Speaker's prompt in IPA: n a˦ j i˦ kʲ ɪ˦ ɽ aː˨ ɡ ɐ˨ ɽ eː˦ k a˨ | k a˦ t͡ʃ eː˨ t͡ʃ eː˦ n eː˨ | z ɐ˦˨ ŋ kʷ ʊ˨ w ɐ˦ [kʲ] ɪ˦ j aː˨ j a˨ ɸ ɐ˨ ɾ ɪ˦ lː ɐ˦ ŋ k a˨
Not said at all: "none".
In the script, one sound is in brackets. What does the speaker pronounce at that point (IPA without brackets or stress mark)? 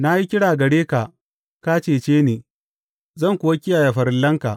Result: kʲ